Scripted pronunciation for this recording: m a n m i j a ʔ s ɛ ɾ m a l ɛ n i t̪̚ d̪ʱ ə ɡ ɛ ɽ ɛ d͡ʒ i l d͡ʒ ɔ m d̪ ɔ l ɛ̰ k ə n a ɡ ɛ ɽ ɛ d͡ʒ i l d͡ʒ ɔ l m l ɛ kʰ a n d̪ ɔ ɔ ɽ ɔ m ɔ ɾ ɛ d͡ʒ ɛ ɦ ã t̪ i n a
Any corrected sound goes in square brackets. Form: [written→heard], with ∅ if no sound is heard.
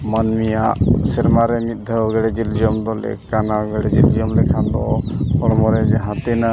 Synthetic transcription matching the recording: m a n m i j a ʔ s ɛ ɾ m a [l→ɾ] ɛ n i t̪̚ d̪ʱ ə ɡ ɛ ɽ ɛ d͡ʒ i l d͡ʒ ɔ m d̪ ɔ l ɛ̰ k [ə→a] n a ɡ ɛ ɽ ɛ d͡ʒ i l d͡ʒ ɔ [l→∅] m l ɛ kʰ a n d̪ ɔ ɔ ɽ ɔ m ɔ ɾ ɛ d͡ʒ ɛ ɦ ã t̪ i n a